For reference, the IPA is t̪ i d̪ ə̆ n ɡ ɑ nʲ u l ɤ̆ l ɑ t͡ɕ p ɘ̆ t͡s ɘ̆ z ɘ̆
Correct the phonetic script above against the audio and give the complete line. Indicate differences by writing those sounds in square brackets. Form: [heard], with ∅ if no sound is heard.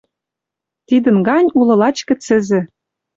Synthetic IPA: t̪ i d̪ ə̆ n ɡ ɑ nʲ u l ɤ̆ l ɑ t͡ɕ [k] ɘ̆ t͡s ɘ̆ z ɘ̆